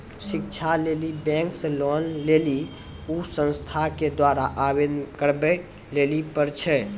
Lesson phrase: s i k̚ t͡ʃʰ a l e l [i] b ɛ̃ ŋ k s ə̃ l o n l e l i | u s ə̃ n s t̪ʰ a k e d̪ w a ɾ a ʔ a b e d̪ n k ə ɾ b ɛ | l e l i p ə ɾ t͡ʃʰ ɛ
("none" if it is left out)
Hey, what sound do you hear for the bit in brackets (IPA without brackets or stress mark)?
i